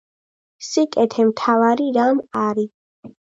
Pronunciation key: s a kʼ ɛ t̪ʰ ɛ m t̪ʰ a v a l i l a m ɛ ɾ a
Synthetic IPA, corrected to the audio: s i kʼ ɛ t̪ʰ ɛ m t̪ʰ a v a ɾ i ɾ a m a ɾ i

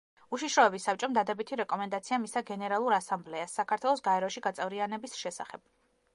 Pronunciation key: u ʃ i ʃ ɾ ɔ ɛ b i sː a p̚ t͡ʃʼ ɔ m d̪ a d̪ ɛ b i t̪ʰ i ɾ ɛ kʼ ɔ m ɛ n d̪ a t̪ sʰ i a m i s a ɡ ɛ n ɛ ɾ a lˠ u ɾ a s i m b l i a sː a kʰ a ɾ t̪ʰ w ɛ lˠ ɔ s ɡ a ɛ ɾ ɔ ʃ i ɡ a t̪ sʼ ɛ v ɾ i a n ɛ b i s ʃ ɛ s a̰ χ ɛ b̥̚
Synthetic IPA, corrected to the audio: u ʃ i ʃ ɾ ɔ ɛ b i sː a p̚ t͡ʃʼ ɔ m d̪ a d̪ ɛ b i t̪ʰ i ɾ ɛ kʼ ɔ m ɛ n d̪ a t̪ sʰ i a m i s a ɡ ɛ n ɛ ɾ a lˠ u ɾ a s a m b l ɛ a sː a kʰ a ɾ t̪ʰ w ɛ lˠ ɔ s ɡ a ɛ ɾ ɔ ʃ i ɡ a t̪ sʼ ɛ v ɾ i a n ɛ b i s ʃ ɛ s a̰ χ ɛ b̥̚

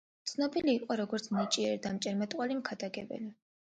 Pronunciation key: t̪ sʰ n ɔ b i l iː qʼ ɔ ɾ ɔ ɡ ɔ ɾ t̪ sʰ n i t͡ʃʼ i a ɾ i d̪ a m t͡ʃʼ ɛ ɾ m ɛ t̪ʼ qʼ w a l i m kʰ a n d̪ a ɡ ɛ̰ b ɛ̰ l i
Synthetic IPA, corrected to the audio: t̪ sʰ n ɔ b i l iː qʼ ɔ ɾ ɔ ɡ ɔ ɾ t̪ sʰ n i t͡ʃʼ i ɛ ɾ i d̪ a m t͡ʃʼ ɛ ɾ m ɛ t̪ʼ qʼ w a l i m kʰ a d̪ a ɡ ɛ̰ b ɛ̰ l i

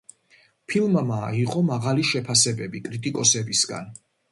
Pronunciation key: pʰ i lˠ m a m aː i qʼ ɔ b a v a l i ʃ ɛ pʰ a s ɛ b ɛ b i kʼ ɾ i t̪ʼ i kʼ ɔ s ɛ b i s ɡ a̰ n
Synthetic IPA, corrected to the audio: pʰ i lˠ m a m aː i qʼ ɔ m a ʁ a l i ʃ ɛ pʰ a s ɛ b ɛ b i kʼ ɾ i t̪ʼ i kʼ ɔ s ɛ b i s ɡ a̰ n

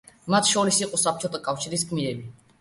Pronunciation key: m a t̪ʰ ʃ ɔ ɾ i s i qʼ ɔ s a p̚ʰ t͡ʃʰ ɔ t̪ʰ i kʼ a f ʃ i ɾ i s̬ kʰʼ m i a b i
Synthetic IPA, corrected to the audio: m a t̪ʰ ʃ ɔ ɾ i s i qʼ ɔ s a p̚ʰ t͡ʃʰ ɔ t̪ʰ a kʼ a f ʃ i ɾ i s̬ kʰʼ m i ɛ b i

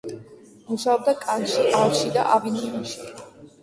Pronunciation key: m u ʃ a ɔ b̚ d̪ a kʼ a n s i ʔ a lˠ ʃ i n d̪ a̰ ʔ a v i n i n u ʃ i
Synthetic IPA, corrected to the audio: m u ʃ a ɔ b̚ d̪ a kʼ a n ʃ i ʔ a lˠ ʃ i d̪ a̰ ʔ a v i n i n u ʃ i

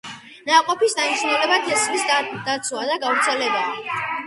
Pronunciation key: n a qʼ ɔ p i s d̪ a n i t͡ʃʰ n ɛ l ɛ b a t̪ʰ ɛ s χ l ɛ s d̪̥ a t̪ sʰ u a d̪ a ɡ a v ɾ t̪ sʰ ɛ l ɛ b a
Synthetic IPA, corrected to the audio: n a qʼ ɔ p i s d̪ a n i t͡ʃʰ n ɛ l ɛ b a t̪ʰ ɛ s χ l i s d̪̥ a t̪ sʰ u a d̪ a ɡ a v ɾ t̪ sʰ ɛ l ɛ b a

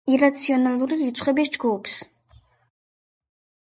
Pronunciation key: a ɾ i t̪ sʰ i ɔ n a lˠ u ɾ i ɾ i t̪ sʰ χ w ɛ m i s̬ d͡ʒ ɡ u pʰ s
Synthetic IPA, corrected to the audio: i ɾ a t̪ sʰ i ɔ n a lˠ u ɾ i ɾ i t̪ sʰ χ w ɛ b i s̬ d͡ʒ ɡ u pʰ s

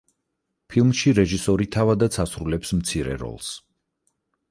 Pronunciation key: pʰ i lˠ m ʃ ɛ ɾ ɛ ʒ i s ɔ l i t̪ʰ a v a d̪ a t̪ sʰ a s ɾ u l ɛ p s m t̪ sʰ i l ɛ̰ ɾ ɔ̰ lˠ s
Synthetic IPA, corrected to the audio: pʰ i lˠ m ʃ i ɾ ɛ ʒ i s ɔ ɾ i t̪ʰ a v a d̪ a t̪ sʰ a s ɾ u l ɛ p s m t̪ sʰ i ɾ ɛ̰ ɾ ɔ̰ lˠ s

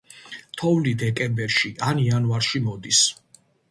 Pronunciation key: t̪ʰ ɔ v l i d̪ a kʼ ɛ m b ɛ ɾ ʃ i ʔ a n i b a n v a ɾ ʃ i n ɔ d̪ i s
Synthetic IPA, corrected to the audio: t̪ʰ ɔ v l i d̪ ɛ kʼ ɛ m b ɛ ɾ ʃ i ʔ a n i a n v a ɾ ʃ i m ɔ d̪ i s

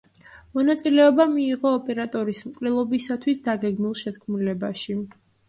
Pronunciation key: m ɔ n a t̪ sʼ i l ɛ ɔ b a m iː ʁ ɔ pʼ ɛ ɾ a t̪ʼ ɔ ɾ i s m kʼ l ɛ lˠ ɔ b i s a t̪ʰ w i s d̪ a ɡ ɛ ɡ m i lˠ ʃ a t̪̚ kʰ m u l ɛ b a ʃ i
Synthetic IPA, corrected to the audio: m ɔ n a t̪ sʼ i l ɛ ɔ b a m iː ʁ ɔː pʼ ɛ ɾ a t̪ʼ ɔ ɾ i s m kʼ l ɛ lˠ ɔ b i s a t̪ʰ w i s d̪ a ɡ ɛ ɡ m i lˠ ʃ ɛ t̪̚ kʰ m u l ɛ b a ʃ i

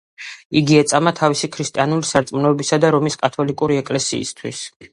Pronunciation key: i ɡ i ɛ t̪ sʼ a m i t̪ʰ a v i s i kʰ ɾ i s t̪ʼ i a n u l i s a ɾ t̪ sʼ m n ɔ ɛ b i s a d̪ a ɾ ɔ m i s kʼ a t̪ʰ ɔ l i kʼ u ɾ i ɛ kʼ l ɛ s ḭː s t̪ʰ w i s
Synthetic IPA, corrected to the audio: i ɡ i ɛ t̪ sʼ a m a t̪ʰ a v i s i kʰ ɾ i s t̪ʼ i a n u l i s a ɾ t̪ sʼ m n ɔ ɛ b i s a d̪ a ɾ ɔ m i s kʼ a t̪ʰ ɔ l i kʼ u ɾ i ɛ kʼ l ɛ s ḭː s t̪ʰ w i s

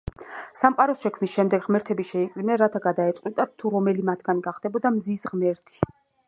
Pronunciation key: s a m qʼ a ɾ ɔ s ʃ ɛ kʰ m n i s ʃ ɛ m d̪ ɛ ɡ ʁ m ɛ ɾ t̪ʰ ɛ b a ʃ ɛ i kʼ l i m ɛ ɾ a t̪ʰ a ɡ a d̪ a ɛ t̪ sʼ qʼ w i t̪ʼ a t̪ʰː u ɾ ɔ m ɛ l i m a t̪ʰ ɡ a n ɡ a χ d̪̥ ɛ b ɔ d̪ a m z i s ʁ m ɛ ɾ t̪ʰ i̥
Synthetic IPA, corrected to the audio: s a m qʼ a ɾ ɔ s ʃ ɛ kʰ m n i s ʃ ɛ m d̪ ɛ ɡ ʁ m ɛ ɾ t̪ʰ ɛ b i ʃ ɛ i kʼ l i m ɛ ɾ a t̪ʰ a ɡ a d̪ a ɛ t̪ sʼ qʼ w i t̪ʼ a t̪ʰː u ɾ ɔ m ɛ l i m a t̪ʰ ɡ a n ɡ a χ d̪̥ ɛ b ɔ d̪ a m z i s ʁ m ɛ ɾ t̪ʰ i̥

